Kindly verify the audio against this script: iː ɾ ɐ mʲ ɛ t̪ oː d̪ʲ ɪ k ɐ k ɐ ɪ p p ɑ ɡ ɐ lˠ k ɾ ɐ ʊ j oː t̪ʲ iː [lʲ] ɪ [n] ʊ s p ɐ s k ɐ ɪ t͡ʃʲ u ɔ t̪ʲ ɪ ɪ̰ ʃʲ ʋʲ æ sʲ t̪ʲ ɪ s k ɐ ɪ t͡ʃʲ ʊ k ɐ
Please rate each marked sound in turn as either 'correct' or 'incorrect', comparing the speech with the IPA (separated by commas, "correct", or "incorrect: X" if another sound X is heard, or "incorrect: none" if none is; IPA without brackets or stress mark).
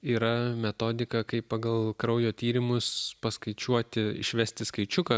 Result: incorrect: ɾʲ, incorrect: m